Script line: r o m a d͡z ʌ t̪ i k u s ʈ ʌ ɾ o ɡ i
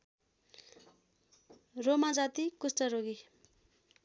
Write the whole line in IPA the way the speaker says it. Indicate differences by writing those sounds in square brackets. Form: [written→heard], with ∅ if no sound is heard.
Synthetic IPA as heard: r o m a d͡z [ʌ→a] t̪ i k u s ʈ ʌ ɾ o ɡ i